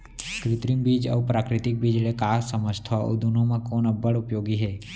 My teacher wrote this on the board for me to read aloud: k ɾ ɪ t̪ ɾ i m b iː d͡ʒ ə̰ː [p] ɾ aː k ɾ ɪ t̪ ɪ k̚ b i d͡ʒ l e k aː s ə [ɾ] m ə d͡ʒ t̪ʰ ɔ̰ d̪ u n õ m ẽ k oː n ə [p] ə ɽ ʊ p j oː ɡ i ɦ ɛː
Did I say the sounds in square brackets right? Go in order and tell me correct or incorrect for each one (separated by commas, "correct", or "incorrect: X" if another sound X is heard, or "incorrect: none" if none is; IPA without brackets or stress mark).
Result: correct, incorrect: none, incorrect: b